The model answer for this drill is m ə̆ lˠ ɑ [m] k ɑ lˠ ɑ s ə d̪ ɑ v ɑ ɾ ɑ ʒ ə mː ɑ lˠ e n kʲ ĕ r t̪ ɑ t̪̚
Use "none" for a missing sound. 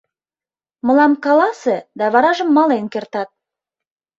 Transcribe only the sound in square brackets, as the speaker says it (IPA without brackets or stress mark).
m